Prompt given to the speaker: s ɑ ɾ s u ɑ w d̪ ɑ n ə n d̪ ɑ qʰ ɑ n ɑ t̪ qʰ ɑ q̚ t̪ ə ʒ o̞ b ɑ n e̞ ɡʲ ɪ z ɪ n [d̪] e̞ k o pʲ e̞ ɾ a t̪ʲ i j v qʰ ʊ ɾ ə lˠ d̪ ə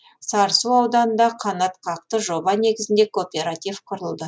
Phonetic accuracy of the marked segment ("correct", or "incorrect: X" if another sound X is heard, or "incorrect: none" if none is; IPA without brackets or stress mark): correct